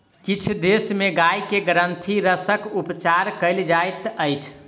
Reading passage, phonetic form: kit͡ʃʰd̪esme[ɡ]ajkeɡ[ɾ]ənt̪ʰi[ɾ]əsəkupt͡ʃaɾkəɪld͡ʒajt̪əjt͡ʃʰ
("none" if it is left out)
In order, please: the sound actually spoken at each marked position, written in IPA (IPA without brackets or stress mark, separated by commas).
ɡ, ɾ, ɾ